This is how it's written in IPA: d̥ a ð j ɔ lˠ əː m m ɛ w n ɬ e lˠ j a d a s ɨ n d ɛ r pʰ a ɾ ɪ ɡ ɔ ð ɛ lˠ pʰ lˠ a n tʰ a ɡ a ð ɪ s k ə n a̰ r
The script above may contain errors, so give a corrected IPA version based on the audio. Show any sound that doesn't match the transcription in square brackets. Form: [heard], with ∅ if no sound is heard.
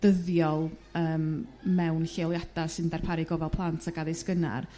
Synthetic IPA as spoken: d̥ [ə] ð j ɔ lˠ əː m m ɛ w n ɬ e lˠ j a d a s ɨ n d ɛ r pʰ a ɾ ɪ ɡ ɔ [v] ɛ lˠ pʰ lˠ a n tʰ a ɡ a ð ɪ s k ə n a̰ r